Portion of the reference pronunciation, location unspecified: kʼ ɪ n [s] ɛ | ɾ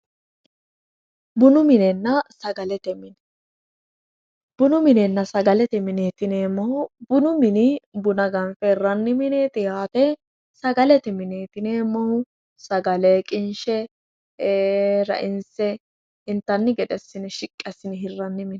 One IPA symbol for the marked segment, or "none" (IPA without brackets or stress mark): ʃ